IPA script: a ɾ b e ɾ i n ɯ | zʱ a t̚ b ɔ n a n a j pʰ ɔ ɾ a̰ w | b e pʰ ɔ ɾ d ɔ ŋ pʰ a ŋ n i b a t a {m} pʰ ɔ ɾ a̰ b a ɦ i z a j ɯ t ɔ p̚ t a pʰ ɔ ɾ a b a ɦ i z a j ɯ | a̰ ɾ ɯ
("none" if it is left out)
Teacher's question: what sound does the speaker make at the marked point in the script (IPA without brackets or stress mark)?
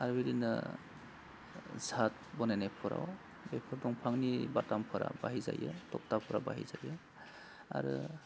m